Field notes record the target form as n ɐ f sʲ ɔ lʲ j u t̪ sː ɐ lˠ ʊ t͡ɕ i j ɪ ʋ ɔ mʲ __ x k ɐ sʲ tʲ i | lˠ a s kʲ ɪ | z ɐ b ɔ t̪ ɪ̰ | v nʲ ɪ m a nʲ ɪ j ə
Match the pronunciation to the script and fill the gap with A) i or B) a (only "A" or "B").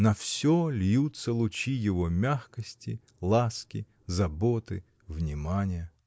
B